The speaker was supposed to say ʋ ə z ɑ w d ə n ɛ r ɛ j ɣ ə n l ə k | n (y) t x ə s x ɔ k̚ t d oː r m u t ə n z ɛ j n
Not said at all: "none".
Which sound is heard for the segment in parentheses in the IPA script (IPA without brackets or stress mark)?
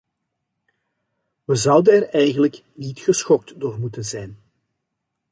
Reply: i